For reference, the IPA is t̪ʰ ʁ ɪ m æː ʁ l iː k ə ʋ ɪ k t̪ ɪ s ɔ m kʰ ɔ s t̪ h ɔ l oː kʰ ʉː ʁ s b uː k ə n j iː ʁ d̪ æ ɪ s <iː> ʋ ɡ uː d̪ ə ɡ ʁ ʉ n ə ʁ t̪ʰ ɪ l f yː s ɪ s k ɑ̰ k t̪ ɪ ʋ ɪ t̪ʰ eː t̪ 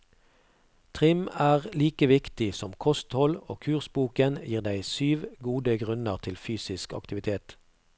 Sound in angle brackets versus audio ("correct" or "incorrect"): incorrect